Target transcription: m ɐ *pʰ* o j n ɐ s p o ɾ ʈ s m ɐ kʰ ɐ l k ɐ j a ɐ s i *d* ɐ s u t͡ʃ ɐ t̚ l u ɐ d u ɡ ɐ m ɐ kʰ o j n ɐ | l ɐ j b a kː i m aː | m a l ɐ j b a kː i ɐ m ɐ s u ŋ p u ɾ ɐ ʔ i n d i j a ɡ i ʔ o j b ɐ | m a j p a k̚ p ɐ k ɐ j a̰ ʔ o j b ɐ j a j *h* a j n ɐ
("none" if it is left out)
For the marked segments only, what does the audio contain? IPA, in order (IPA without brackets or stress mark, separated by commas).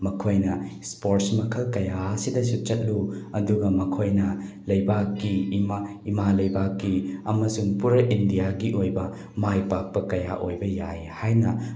kʰ, d, h